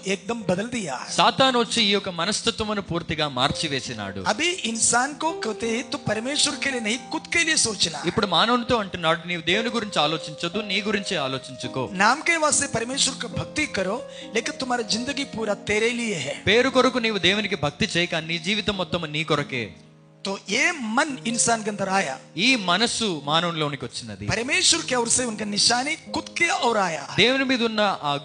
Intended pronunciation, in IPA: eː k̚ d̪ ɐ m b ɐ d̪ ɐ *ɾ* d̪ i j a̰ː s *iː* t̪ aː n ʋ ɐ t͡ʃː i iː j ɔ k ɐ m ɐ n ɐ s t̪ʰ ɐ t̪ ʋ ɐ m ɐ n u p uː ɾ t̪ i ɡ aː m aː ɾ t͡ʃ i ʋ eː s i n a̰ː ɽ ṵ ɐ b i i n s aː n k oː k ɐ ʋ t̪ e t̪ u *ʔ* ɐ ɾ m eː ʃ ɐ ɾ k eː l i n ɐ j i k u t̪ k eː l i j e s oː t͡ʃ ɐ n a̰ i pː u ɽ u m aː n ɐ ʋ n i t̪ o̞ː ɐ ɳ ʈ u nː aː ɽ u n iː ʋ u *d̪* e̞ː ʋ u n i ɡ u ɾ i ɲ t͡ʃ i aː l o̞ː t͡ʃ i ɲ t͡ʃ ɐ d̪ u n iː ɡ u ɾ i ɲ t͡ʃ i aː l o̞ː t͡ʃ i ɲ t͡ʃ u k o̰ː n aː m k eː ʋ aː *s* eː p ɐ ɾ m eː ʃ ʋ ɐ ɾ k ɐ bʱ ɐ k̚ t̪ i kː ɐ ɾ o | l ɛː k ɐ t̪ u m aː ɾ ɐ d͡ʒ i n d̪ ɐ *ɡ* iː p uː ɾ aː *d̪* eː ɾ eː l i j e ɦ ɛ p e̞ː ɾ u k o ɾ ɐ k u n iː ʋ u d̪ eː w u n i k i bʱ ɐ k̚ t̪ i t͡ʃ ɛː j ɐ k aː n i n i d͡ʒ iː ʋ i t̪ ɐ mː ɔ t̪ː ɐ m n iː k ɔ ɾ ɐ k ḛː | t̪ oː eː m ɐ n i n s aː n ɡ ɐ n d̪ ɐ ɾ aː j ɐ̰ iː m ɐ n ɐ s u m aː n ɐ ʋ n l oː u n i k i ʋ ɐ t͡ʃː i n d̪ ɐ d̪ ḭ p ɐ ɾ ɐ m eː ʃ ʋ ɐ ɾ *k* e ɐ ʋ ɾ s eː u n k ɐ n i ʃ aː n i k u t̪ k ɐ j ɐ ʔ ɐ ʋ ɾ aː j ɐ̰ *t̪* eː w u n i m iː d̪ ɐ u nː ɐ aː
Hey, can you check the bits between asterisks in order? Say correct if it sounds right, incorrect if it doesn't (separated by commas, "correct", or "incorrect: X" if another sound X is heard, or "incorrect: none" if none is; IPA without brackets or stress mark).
incorrect: l, incorrect: aː, incorrect: p, correct, correct, correct, incorrect: t̪, correct, incorrect: d̪